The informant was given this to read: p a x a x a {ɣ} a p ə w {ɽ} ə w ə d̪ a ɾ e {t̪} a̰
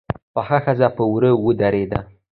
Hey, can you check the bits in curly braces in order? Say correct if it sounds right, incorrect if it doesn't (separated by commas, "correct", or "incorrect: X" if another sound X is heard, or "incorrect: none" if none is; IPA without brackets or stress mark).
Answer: incorrect: z, incorrect: ɾ, incorrect: d̪